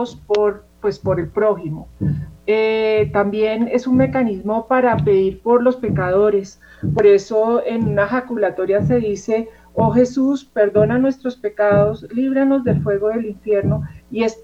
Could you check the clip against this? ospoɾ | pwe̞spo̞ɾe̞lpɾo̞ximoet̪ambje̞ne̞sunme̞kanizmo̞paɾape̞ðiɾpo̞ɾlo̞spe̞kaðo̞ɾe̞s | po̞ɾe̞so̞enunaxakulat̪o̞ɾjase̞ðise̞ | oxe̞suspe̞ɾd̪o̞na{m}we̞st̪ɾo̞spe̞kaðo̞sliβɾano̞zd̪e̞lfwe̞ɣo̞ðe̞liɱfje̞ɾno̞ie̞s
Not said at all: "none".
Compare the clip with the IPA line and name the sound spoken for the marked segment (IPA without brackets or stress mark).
n